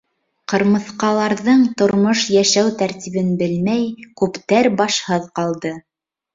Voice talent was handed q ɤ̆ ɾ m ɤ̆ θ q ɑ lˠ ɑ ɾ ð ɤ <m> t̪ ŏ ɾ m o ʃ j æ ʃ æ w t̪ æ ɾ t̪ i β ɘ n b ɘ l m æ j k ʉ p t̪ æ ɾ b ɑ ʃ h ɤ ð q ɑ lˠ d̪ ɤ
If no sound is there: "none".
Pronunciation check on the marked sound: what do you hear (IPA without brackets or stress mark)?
ɴ